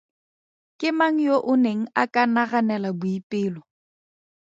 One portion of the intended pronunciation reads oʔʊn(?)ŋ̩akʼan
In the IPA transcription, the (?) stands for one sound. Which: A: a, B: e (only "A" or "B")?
B